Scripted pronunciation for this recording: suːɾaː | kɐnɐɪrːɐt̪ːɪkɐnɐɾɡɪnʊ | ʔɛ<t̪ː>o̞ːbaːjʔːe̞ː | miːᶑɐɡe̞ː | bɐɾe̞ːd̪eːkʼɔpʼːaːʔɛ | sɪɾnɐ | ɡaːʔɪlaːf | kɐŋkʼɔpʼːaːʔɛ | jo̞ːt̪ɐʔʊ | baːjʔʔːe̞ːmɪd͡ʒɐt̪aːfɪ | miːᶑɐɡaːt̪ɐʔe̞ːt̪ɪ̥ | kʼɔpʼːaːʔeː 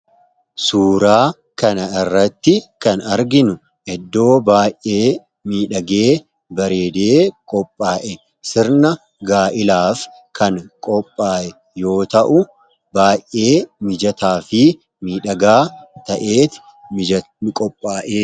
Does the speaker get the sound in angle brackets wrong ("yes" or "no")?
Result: yes